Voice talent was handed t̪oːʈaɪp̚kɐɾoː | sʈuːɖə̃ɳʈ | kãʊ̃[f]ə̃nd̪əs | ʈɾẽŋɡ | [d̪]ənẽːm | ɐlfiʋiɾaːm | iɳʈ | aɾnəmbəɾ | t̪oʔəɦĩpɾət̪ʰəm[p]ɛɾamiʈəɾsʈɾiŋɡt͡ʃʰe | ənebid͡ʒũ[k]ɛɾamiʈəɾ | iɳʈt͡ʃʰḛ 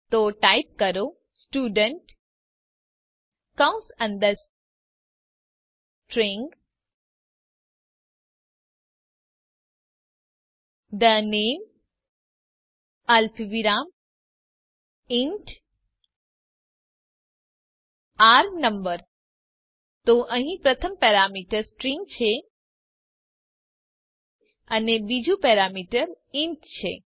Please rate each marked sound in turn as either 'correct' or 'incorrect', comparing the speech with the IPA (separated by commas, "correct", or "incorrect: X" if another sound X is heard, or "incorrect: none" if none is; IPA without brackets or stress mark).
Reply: incorrect: s, correct, correct, incorrect: p